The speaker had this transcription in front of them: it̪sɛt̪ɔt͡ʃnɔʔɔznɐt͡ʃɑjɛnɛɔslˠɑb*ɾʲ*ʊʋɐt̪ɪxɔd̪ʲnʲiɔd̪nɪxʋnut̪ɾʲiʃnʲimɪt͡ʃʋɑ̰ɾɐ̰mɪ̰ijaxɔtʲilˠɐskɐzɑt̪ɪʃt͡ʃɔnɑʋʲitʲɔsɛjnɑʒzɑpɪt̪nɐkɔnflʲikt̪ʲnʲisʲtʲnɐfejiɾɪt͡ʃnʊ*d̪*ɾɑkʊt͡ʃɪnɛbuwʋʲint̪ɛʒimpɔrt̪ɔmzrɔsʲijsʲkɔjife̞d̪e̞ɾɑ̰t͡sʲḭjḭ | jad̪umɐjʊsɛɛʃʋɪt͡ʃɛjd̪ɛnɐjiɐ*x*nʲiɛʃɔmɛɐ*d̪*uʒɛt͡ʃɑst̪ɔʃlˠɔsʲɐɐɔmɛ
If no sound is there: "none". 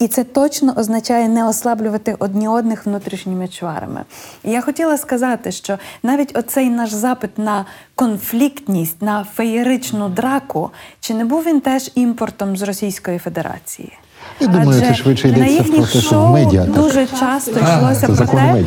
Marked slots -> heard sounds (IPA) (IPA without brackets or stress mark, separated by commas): lʲ, d̪, x, d̪